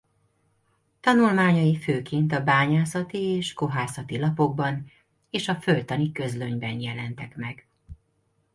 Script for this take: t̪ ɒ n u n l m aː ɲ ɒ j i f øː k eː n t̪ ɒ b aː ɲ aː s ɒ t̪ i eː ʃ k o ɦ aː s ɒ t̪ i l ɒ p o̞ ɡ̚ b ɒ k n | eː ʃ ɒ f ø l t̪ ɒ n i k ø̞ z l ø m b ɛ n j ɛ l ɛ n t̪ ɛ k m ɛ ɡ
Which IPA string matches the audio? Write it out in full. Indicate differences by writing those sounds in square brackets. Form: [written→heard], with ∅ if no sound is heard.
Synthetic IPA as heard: t̪ ɒ n u [n→∅] l m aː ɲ ɒ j i f øː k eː n t̪ ɒ b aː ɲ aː s ɒ t̪ i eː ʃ k o ɦ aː s ɒ t̪ i l ɒ p o̞ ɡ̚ b ɒ [k→∅] n | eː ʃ ɒ f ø l t̪ ɒ n i k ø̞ z l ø [m→ɲ] b ɛ n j ɛ l ɛ n t̪ ɛ k m ɛ ɡ